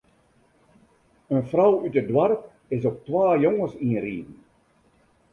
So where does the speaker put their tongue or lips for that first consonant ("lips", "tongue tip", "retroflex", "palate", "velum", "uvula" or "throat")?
tongue tip